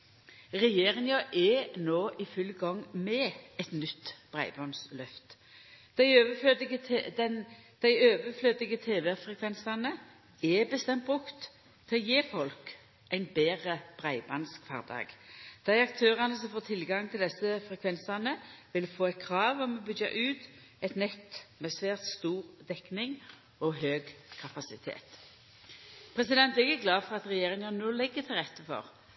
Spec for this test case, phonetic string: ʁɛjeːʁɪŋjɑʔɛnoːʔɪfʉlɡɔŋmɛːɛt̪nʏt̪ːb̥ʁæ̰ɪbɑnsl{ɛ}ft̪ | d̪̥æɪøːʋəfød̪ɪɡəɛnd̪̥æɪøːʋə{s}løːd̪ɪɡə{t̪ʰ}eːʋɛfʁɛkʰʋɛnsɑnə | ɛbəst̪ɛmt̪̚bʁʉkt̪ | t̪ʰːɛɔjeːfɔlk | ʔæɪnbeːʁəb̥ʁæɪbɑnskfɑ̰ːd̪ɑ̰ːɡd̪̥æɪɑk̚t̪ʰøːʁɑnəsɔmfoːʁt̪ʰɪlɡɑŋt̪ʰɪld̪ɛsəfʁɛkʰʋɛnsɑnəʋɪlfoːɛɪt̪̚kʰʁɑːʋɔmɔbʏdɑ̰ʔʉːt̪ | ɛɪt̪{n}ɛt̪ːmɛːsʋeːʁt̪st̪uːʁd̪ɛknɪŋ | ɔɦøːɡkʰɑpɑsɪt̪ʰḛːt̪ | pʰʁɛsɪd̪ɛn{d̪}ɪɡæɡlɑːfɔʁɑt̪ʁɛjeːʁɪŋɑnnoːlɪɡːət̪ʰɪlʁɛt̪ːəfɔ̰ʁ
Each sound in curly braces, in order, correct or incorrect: incorrect, incorrect, correct, correct, incorrect

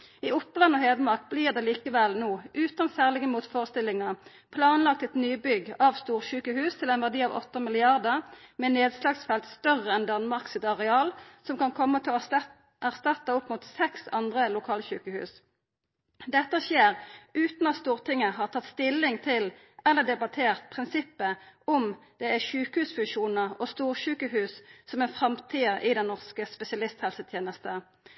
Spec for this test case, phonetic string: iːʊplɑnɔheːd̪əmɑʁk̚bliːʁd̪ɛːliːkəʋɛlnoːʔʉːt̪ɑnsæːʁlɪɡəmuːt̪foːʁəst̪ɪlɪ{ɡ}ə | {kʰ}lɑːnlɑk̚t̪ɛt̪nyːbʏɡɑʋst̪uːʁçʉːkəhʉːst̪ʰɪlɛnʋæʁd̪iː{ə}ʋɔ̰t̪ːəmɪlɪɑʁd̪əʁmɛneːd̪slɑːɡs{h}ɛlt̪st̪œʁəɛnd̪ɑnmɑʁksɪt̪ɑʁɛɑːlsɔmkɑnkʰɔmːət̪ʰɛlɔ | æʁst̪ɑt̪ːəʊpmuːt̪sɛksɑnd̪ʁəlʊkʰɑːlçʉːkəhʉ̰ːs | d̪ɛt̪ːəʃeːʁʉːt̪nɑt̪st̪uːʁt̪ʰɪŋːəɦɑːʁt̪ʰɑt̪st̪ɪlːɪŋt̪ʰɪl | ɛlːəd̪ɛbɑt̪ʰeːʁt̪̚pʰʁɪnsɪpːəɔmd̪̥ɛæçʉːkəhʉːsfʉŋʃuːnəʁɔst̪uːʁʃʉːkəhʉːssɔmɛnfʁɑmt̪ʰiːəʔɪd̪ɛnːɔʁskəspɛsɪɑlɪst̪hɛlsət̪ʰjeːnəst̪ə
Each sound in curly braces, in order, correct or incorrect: incorrect, incorrect, incorrect, incorrect

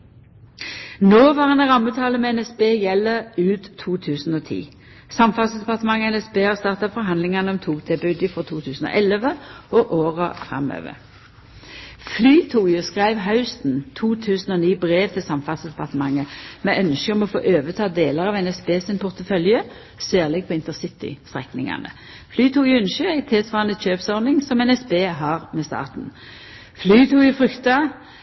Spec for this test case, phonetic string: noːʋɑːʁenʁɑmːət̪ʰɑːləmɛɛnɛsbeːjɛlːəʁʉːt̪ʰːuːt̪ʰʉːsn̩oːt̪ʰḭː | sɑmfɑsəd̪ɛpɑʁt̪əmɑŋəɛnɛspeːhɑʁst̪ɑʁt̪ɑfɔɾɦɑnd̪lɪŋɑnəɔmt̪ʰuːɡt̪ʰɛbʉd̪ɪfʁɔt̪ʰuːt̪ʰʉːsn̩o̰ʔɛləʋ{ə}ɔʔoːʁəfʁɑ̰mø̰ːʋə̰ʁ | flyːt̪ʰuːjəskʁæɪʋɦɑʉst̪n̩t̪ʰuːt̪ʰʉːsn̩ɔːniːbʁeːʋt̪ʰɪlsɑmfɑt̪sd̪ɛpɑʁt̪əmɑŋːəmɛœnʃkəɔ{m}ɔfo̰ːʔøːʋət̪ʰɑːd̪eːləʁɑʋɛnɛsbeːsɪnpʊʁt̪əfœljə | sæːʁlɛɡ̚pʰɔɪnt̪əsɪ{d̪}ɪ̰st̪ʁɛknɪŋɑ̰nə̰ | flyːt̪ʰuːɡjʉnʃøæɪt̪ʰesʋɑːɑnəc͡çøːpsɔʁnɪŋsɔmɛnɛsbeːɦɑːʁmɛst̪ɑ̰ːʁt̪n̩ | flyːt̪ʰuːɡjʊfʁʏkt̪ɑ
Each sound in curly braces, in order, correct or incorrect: correct, correct, incorrect

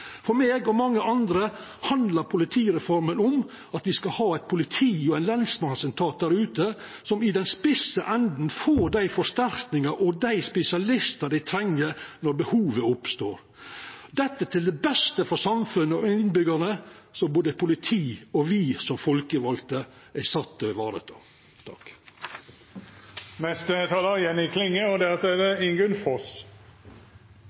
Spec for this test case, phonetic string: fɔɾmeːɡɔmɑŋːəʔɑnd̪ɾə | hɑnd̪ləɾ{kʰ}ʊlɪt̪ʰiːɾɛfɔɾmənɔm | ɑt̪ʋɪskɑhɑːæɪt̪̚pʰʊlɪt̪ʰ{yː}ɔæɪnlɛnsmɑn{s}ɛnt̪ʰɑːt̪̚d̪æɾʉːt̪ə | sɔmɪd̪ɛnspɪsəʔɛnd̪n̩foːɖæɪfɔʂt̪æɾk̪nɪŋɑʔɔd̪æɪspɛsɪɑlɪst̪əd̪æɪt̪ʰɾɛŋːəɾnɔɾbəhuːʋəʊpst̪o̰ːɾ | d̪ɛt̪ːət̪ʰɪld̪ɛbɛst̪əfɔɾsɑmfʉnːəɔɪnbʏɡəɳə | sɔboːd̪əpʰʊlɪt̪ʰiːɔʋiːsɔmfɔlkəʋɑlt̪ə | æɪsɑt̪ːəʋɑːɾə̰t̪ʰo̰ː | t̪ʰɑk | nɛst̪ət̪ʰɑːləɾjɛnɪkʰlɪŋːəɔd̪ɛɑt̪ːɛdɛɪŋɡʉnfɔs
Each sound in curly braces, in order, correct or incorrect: incorrect, incorrect, correct

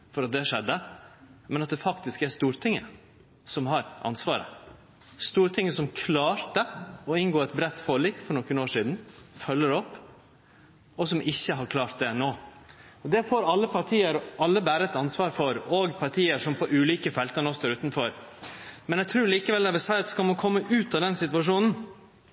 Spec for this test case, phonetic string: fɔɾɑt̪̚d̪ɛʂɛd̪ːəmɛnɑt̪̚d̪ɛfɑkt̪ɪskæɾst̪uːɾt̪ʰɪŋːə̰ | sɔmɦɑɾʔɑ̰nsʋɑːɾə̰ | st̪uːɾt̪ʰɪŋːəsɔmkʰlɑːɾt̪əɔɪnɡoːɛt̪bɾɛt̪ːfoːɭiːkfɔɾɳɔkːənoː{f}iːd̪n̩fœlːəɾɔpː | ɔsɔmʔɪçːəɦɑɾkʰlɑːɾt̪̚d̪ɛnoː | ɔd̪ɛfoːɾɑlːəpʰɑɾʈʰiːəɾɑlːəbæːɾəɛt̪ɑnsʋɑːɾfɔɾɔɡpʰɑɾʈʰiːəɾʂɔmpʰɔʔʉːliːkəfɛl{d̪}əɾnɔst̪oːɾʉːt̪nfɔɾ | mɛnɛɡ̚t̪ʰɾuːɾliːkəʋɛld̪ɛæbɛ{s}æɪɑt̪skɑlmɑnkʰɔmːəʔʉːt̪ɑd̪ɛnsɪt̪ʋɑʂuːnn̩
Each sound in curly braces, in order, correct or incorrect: incorrect, incorrect, correct

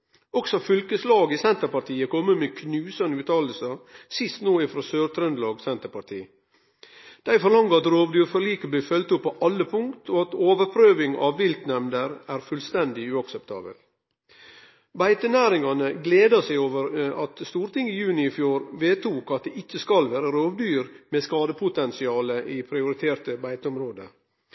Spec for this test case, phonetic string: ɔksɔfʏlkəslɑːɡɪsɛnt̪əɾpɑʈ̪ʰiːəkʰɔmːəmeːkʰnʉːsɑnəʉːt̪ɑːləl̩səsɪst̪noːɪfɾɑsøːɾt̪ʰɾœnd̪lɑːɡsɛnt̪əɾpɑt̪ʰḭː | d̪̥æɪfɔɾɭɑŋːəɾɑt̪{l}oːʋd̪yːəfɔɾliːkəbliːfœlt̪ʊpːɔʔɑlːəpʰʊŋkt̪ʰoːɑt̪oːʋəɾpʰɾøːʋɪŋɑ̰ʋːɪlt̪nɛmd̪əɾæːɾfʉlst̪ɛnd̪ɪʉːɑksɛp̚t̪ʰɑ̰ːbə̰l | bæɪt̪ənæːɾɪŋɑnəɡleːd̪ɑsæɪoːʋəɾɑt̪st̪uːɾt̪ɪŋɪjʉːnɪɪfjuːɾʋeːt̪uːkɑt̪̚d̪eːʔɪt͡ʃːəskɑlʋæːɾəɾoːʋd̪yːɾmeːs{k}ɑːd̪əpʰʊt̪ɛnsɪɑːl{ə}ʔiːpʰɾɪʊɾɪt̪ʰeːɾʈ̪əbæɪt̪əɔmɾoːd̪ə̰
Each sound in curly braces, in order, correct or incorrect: incorrect, correct, correct

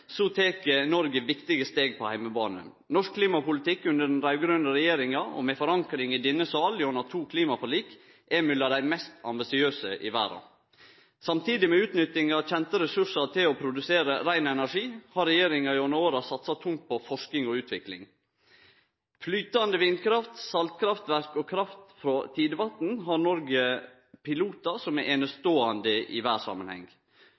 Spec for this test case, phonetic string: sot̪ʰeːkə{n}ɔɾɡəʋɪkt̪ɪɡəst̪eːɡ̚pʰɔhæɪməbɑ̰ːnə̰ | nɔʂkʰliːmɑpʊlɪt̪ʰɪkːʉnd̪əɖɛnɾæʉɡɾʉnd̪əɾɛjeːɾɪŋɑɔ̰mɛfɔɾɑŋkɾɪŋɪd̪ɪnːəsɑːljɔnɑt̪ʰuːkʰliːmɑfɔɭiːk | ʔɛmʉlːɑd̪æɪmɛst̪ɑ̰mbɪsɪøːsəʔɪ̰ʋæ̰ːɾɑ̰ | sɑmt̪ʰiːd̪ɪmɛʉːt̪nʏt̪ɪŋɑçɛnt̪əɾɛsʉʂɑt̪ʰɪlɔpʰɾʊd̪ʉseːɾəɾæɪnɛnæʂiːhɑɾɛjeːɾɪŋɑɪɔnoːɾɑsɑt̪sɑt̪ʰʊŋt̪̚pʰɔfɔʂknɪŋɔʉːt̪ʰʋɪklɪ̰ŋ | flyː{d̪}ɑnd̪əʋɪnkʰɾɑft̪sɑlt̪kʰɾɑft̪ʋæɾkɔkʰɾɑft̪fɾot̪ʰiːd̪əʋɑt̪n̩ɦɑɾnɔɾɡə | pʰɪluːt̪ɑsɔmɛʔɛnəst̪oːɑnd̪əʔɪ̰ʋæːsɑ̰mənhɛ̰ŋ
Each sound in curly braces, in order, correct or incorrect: correct, incorrect

